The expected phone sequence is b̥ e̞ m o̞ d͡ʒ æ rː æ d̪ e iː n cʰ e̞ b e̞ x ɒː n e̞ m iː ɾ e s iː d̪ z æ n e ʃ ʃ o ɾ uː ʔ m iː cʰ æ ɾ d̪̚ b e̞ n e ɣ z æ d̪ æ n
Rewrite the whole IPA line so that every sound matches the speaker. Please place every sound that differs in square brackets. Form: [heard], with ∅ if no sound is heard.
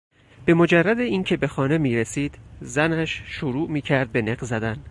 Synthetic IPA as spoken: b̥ e̞ m o̞ d͡ʒ æ rː æ d̪ e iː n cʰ e̞ b e̞ x ɒː n e̞ m iː ɾ e s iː d̪ z æ n [æ] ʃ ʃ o ɾ uː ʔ m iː cʰ æ ɾ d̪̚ b e̞ n e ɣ z æ d̪ æ n